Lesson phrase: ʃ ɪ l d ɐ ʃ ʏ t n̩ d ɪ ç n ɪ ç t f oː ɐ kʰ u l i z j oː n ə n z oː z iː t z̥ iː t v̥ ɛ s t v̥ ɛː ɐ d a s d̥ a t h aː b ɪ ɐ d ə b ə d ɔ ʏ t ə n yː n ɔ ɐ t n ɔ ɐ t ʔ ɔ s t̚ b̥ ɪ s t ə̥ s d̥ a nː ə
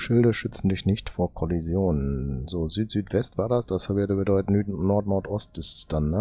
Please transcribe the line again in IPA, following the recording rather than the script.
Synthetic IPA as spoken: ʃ ɪ l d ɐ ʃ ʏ t͡s n̩ d ɪ ç n ɪ ç t f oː ɐ kʰ ɔ l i z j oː n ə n z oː z yː t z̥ yː t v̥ ɛ s t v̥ aː ɐ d a s d̥ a s h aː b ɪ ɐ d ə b ə d ɔ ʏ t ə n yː n ɔ ɐ t n ɔ ɐ t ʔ ɔ s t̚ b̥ ɪ s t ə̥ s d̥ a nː ə